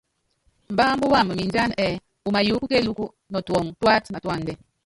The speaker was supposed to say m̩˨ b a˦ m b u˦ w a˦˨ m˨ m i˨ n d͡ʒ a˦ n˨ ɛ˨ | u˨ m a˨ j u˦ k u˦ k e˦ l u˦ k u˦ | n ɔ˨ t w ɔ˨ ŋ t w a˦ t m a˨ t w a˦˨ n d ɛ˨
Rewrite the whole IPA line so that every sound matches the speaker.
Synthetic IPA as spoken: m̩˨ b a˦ m b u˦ w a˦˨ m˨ m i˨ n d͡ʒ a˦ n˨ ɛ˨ | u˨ m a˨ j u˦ k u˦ k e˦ l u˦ k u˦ | n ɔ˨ t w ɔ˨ ŋ t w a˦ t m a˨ t w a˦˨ n d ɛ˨

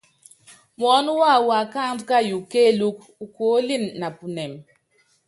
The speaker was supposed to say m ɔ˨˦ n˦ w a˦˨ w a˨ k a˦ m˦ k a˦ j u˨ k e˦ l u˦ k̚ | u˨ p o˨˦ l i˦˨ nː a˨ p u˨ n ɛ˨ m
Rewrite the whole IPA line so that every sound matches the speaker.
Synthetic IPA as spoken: m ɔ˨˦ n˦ w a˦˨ w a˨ k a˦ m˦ k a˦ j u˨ k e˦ l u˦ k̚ | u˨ k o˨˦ l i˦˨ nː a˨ p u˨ n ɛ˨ m

